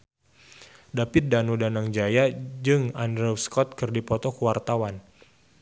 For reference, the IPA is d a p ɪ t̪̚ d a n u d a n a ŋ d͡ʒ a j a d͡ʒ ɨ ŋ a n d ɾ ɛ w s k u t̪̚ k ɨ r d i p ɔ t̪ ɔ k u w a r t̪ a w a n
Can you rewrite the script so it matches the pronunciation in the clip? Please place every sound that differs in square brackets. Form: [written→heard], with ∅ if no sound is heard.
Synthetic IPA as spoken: d a p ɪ t̪̚ d a n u d a n a ŋ d͡ʒ a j a d͡ʒ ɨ ŋ a n d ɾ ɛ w s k [u→ɔ] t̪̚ k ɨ r d i p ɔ t̪ ɔ k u w a r t̪ a w a n

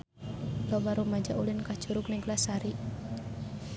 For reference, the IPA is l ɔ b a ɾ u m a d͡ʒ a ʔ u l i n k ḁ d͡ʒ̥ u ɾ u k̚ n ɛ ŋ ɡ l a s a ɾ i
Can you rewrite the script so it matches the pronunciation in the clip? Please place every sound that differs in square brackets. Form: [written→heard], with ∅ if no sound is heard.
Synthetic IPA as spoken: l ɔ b a ɾ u m a d͡ʒ a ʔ u l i n k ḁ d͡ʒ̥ u ɾ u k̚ n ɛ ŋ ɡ l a s a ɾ i

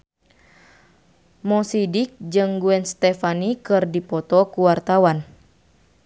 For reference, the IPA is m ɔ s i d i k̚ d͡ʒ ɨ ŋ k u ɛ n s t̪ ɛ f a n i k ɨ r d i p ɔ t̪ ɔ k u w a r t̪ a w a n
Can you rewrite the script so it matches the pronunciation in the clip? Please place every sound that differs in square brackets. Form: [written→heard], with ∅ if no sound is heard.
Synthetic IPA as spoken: m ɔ s i d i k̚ d͡ʒ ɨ ŋ [k→ɡ] u ɛ n s t̪ ɛ f a n i k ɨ r d i p ɔ t̪ ɔ k u w a r t̪ a w a n

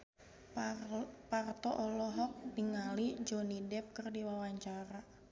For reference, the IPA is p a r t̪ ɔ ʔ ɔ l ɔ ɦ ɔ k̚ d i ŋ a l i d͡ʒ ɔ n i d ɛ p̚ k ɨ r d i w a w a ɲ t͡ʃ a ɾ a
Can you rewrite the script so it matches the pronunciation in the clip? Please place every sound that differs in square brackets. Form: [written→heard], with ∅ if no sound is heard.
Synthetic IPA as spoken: p a r t̪ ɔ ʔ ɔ l ɔ ɦ ɔ k̚ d i ŋ a l i d͡ʒ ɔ n i d ɛ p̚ k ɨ r d i w a w a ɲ t͡ʃ a ɾ a

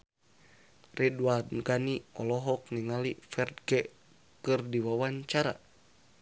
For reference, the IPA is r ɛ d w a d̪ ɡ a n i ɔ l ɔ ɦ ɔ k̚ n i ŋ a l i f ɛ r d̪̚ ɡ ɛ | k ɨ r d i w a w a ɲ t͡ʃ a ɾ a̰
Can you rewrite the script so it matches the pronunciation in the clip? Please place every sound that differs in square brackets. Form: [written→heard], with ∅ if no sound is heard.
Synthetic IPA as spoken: r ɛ d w a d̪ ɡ a n i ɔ l ɔ ɦ ɔ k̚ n i ŋ a l i f ɛ r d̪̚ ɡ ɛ | k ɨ r d i w a w a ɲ t͡ʃ a ɾ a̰

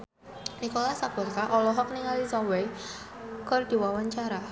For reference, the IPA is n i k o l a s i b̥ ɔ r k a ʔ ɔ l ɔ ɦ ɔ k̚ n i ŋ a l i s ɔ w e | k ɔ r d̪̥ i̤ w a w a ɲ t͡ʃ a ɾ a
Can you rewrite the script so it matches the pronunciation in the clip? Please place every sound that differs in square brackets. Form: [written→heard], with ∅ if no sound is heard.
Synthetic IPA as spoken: n i k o l a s [i→a] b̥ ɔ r k a ʔ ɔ l ɔ ɦ ɔ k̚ n i ŋ a l i s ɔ w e | k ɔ r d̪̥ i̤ w a w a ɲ t͡ʃ a ɾ a

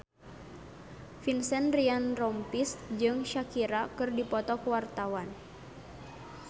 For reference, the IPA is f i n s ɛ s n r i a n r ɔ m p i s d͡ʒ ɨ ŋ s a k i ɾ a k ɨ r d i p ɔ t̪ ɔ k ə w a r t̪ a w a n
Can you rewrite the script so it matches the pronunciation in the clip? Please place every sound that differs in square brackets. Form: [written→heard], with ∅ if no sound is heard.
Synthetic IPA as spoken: f i n s ɛ [s→∅] n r i a n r ɔ m p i s d͡ʒ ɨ ŋ [s→ʃ] a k i ɾ a k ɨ r d i p ɔ t̪ ɔ k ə w a r t̪ a w a n

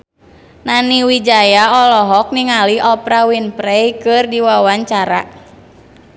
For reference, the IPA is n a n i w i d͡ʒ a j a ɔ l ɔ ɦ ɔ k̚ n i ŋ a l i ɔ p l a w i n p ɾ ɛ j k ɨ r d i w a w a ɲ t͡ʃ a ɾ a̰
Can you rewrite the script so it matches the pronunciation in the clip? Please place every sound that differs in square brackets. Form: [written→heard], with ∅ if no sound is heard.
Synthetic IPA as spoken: n a n i w i d͡ʒ a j a ɔ l ɔ ɦ ɔ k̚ n i ŋ a l i ɔ p [l→ɾ] a w i n p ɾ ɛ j k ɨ r d i w a w a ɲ t͡ʃ a ɾ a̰

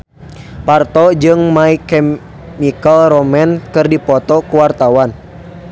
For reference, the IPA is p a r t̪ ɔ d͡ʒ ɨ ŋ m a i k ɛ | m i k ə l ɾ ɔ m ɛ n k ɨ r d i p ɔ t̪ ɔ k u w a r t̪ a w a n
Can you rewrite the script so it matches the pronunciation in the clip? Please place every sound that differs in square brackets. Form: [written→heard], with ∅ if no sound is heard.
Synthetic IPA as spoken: p a r t̪ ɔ d͡ʒ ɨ ŋ m a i k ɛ | m i k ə l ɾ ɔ m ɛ n k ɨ r d i p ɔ t̪ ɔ k u w a r t̪ a w a n

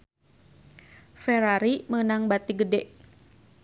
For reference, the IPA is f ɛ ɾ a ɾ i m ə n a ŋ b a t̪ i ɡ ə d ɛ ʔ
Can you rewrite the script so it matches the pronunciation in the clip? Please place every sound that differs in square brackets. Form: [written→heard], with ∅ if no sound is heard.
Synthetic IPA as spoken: f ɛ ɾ a ɾ i m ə n a ŋ b a t̪ i ɡ ə d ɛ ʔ

